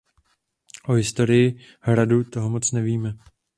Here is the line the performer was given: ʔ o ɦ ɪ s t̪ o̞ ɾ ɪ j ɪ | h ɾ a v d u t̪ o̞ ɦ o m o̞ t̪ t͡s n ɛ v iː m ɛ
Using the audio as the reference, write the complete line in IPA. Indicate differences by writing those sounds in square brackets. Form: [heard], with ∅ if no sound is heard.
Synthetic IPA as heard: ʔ o ɦ ɪ s t̪ o̞ ɾ ɪ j ɪ | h ɾ a [∅] d u t̪ o̞ ɦ o m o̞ [∅] t͡s n ɛ v iː m ɛ